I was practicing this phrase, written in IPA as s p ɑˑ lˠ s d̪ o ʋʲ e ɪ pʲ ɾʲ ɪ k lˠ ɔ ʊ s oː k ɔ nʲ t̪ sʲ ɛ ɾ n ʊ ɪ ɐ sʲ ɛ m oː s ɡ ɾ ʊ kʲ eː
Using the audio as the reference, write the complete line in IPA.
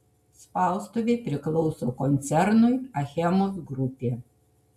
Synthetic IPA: s p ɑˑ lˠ s t̪ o ʋʲ e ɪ pʲ ɾʲ ɪ k lˠ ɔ ʊ s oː k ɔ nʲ t̪ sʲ ɛ ɾ n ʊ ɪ ɐ xʲ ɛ m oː s ɡ ɾ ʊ pʲ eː

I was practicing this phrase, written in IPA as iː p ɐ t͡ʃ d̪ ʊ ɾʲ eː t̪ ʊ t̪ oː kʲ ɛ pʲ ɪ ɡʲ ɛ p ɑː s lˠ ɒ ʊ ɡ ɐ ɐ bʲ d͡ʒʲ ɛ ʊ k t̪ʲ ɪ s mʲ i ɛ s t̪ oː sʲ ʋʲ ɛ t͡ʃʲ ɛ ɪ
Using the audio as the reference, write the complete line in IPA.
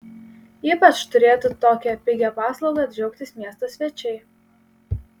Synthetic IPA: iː p ɐ t͡ʃ t̪ ʊ ɾʲ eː t̪ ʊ t̪ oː kʲ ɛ pʲ ɪ ɡʲ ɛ p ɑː s lˠ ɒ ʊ ɡ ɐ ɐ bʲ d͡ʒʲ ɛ ʊ k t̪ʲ ɪ s mʲ i ɛ s t̪ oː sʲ ʋʲ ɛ t͡ʃʲ ɛ ɪ

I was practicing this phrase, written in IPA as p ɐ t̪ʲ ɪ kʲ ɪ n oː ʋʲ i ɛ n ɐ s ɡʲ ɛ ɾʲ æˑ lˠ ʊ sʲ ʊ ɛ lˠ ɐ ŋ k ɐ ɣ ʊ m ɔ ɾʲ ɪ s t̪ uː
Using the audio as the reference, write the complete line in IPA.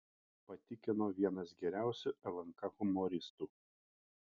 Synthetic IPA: p ɐ t̪ʲ ɪ kʲ ɪ n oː ʋʲ i ɛ n ɐ s ɡʲ ɛ ɾʲ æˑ ʊ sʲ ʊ ɛ lˠ ɐ ŋ k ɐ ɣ ʊ m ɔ ɾʲ ɪ s t̪ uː

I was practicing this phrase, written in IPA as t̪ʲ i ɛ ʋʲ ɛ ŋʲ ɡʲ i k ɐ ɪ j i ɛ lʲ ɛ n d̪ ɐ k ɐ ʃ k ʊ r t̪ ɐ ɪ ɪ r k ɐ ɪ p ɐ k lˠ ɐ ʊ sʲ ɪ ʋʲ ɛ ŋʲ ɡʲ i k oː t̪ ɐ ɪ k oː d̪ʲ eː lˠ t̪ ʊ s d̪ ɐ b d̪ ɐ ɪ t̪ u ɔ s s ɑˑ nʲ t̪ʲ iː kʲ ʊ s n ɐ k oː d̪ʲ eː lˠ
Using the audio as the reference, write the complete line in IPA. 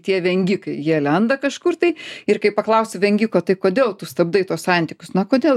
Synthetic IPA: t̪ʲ i ɛ ʋʲ ɛ ŋʲ ɡʲ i k ɐ ɪ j i ɛ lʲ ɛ n d̪ ɐ k ɐ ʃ k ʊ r t̪ ɐ ɪ ɪ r k ɐ ɪ p ɐ k lˠ ɐ ʊ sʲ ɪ ʋʲ ɛ ŋʲ ɡʲ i k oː t̪ ɐ ɪ k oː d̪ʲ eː lˠ t̪ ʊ s t̪ ɐ b d̪ ɐ ɪ t̪ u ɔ s s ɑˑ nʲ t̪ʲ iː kʲ ʊ s n ɐ k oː d̪ʲ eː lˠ

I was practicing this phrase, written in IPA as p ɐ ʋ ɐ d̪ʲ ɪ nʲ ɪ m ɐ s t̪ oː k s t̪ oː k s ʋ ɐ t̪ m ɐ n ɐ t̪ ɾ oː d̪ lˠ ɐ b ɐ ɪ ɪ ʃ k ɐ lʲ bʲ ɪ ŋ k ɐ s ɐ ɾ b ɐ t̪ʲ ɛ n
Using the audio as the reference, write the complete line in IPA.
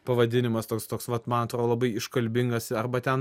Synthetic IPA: p ɐ ʋ ɐ d̪ʲ ɪ nʲ ɪ m ɐ s t̪ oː k s t̪ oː k s ʋ ɐ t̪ m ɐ n ɐ t̪ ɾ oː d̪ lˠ ɐ b ɐ ɪ ɪ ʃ k ɐ lʲ bʲ ɪ ŋ ɡ ɐ s ɐ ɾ b ɐ t̪ʲ ɛ n

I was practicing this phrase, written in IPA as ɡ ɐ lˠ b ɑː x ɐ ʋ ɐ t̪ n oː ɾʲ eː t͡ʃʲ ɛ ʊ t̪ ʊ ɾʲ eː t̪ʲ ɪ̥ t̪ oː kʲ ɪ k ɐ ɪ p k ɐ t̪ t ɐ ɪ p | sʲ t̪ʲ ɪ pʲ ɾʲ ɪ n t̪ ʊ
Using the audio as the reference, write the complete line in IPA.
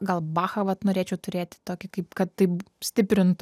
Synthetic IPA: ɡ ɐ lˠ b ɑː x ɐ ʋ ɐ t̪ n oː ɾʲ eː t͡ʃʲ ɛ ʊ t̪ ʊ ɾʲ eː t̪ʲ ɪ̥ t̪ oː kʲ ɪ k ɐ ɪ p k ɐ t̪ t ɐ ɪ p | sʲ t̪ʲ ɪ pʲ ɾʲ ɪ n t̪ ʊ

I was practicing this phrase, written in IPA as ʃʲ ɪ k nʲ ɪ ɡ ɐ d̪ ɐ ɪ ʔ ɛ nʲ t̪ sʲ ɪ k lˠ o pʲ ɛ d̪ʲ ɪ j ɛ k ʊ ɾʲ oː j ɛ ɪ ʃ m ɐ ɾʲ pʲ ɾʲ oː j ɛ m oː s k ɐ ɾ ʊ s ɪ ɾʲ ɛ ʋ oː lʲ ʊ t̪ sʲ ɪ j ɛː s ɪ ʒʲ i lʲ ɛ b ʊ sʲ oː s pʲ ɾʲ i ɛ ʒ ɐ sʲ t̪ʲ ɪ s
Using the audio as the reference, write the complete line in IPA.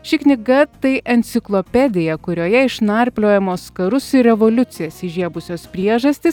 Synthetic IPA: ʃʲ ɪ k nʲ ɪ ɡ ɐ t̪ ɐ ɪ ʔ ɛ nʲ t̪ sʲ ɪ k lˠ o pʲ ɛ d̪ʲ ɪ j ɛ k ʊ ɾʲ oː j ɛ ɪ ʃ n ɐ ɾʲ pʲ lʲ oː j ɛ m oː s k ɐ ɾ ʊ s ɪ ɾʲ ɛ ʋ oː lʲ ʊ t̪ sʲ ɪ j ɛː s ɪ ʒʲ i ɛ b ʊ sʲ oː s pʲ ɾʲ i ɛ ʒ ɐ sʲ t̪ʲ ɪ s

